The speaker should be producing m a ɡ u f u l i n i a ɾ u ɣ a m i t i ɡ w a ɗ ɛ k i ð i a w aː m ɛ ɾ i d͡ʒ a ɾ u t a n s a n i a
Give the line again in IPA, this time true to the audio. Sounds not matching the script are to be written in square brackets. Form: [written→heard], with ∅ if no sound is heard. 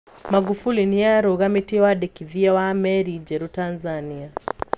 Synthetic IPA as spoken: m a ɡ u f u l i n i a ɾ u ɣ a m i t i [ɡ→∅] w a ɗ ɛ k i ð i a w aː m ɛ ɾ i d͡ʒ [a→ɛ] ɾ u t a n [s→z] a n i a